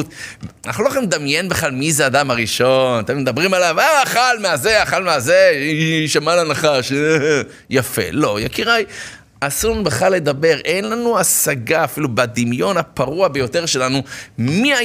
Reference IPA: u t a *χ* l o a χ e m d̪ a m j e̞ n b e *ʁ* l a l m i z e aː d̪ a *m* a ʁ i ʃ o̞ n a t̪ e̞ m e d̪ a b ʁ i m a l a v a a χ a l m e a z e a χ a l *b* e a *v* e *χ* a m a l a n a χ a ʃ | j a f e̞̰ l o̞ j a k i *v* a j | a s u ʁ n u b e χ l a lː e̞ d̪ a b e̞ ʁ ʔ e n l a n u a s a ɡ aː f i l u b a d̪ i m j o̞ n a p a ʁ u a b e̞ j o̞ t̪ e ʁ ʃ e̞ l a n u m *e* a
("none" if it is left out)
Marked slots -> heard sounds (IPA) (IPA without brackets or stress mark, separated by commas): χ, χ, m, m, z, ʃ, ʁ, i